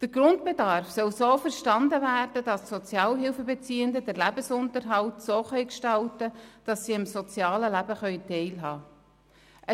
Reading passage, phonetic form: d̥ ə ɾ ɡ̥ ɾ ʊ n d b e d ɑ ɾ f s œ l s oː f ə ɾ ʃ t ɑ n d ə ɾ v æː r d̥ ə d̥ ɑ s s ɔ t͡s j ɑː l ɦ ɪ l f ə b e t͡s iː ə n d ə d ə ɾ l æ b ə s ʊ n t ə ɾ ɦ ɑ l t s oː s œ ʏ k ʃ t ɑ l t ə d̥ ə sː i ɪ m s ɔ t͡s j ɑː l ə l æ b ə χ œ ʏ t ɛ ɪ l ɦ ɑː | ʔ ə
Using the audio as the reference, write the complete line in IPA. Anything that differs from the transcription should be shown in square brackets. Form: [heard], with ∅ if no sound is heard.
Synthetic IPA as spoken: d̥ ə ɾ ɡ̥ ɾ ʊ n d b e d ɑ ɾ f s œ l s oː f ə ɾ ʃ t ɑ n d ə [∅] v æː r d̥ ə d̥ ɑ s s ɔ t͡s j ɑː l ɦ ɪ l f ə b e t͡s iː ə n d ə d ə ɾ l æ b ə s ʊ n t ə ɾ ɦ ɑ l t s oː [χ] œ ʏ k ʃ t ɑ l t ə d̥ [ɑ] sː i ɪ m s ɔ t͡s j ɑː l ə l æ b ə χ œ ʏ t ɛ ɪ l ɦ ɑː | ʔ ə